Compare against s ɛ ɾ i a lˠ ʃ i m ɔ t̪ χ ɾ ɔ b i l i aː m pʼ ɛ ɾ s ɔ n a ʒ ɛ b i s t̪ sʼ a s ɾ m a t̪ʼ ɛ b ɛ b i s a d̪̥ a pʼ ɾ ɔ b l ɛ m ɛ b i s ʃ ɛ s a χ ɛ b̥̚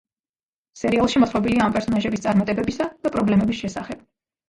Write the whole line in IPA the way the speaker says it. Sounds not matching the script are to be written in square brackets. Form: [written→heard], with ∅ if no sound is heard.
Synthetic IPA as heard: s ɛ ɾ i a lˠ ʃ i m ɔ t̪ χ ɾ ɔ b i l i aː m pʼ ɛ ɾ s ɔ n a ʒ ɛ b i s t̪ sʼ a [s→∅] ɾ m a t̪ʼ ɛ b ɛ b i s a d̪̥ a pʼ ɾ ɔ b l ɛ m ɛ b i s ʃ ɛ s a χ ɛ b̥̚